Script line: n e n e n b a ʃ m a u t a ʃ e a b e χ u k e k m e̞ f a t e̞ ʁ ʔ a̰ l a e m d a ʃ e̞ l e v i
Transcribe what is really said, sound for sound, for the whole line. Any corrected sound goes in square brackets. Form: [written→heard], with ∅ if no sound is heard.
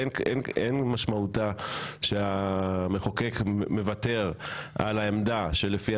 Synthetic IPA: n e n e n [b→m] a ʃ m a u t a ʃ e a [b→m] e χ [u→o] k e k m e̞ [f→v] a t e̞ ʁ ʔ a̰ l a e m d a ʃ e̞ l e [v→f] i

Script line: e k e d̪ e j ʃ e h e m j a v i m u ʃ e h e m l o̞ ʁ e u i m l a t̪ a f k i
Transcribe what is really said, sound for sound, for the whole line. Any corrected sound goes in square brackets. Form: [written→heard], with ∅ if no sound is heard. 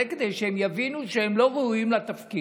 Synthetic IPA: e k e d̪ e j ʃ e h e m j a v i [m→n] u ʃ e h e m l o̞ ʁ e u i m l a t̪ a f k i

